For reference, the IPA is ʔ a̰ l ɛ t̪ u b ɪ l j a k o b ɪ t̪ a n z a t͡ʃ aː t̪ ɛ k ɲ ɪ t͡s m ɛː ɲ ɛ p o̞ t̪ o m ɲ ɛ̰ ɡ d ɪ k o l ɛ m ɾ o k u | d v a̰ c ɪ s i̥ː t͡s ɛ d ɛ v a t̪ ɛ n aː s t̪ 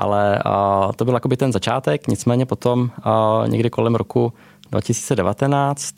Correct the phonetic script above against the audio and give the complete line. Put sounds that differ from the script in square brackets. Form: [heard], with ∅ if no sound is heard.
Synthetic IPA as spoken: ʔ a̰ l ɛ t̪ [o] b ɪ l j a k o b ɪ t̪ [ɛ] n z a t͡ʃ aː t̪ ɛ k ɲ ɪ t͡s m ɛː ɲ ɛ p o̞ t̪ o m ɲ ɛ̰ ɡ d ɪ k o l ɛ m ɾ o k u | d v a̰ c ɪ s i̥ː t͡s ɛ d ɛ v a t̪ ɛ n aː [t͡s] t̪